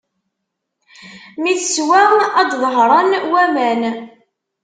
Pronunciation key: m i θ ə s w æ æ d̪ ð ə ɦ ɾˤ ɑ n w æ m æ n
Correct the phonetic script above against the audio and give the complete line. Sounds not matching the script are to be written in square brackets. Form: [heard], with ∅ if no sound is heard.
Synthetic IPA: m i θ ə s w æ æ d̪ ð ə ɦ ɾˤ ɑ n w æ m æ n